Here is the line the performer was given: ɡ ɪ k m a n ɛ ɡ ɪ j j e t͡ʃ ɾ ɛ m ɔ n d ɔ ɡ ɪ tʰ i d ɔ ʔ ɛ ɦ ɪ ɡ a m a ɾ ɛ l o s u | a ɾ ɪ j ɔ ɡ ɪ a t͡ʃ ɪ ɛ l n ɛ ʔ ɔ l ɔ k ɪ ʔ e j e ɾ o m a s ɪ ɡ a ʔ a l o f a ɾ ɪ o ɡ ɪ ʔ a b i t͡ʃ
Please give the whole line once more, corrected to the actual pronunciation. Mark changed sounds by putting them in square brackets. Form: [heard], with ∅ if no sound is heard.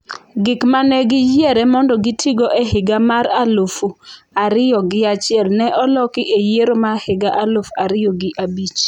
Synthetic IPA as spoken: ɡ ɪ k m a n ɛ ɡ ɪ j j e [∅] ɾ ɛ m ɔ n d ɔ ɡ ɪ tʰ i [ɡ] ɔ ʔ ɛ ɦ ɪ ɡ a m a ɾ [a] l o [f] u | a ɾ ɪ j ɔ ɡ ɪ a t͡ʃ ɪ ɛ l n ɛ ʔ ɔ l ɔ k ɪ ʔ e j e ɾ o m a [h] ɪ ɡ a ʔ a l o f a ɾ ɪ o ɡ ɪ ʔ a b i t͡ʃ